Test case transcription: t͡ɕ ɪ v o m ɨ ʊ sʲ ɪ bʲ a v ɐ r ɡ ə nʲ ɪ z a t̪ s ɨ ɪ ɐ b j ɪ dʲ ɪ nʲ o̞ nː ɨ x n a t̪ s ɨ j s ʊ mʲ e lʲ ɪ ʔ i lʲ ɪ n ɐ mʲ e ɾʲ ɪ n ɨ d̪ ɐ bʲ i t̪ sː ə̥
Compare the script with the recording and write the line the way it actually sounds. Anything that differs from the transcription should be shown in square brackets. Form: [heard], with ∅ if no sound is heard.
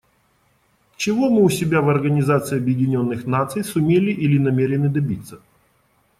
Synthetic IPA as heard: t͡ɕ ɪ v o m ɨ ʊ sʲ ɪ bʲ a v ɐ r ɡ ə nʲ ɪ z a t̪ s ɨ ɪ ɐ b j ɪ dʲ ɪ nʲ o̞ nː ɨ x n a t̪ s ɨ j s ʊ mʲ e lʲ ɪ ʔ i lʲ ɪ n ɐ mʲ e ɾʲ ɪ n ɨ d̪ ɐ bʲ i t̪ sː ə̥

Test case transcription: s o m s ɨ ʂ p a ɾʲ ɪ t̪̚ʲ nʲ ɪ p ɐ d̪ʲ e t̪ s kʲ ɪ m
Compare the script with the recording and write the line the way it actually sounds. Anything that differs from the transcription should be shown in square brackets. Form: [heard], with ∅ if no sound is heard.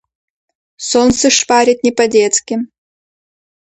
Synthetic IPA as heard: s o [n] s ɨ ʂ p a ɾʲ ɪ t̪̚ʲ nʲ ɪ p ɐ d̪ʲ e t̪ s kʲ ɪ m

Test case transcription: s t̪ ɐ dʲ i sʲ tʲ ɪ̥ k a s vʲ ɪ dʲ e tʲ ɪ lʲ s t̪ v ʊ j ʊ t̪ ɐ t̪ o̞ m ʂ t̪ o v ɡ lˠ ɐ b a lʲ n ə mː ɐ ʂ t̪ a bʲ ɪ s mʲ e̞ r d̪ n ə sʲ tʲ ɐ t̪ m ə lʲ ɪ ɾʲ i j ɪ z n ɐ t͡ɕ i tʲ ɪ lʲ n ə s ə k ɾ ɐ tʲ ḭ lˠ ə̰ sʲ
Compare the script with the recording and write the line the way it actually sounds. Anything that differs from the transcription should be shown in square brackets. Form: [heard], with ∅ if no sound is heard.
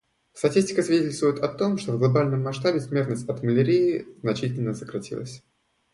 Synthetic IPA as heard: s t̪ ɐ [tʲ] i sʲ tʲ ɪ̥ k [ə] s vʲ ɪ dʲ e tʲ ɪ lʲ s t̪ v ʊ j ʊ t̪ ɐ t̪ o̞ m ʂ t̪ o v ɡ lˠ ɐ b a lʲ n ə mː ɐ ʂ t̪ a bʲ ɪ s mʲ e̞ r [t̪] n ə sʲ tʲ ɐ t̪ m ə lʲ ɪ ɾʲ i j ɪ z n ɐ t͡ɕ i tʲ ɪ lʲ n ə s ə k ɾ ɐ tʲ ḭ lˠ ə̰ sʲ

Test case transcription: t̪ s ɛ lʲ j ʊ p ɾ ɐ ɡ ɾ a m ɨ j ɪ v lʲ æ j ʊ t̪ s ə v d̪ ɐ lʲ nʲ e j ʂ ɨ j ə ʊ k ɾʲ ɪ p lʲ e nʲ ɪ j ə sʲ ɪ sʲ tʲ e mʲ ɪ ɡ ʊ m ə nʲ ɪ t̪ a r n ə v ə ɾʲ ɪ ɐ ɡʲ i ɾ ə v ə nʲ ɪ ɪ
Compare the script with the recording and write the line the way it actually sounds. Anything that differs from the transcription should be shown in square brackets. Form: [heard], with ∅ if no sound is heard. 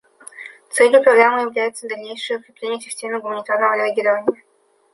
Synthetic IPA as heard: t̪ s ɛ lʲ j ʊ p ɾ ɐ ɡ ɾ a m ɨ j ɪ v lʲ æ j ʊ t̪ s ə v d̪ ɐ lʲ nʲ e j ʂ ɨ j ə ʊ k ɾʲ ɪ p lʲ e nʲ ɪ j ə sʲ ɪ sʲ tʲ e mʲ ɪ ɡ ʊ m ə nʲ ɪ t̪ a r n ə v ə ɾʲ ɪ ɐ ɡʲ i ɾ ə v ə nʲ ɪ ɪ

